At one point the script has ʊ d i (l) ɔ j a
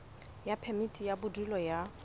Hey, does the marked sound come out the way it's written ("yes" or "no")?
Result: yes